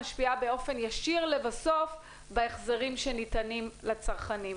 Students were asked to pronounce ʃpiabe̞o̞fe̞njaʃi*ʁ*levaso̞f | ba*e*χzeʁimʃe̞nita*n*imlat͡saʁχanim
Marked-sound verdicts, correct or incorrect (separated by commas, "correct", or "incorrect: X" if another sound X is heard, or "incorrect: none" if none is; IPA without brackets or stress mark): correct, correct, correct